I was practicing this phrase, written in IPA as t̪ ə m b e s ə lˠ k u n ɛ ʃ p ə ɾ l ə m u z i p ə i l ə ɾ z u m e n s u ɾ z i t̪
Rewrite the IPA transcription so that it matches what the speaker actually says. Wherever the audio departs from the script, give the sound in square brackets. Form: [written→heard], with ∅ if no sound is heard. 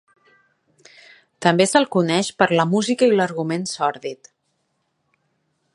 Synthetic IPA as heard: t̪ ə m b e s ə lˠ k u n ɛ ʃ p ə ɾ l ə m u z i [p→k] ə i l ə ɾ [z→ɣ] u m e n s [u→ɔ] ɾ [z→ð] i t̪